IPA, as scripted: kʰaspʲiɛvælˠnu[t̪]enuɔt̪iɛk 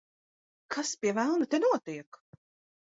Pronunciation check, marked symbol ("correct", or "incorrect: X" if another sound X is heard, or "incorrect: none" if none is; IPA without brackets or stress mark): correct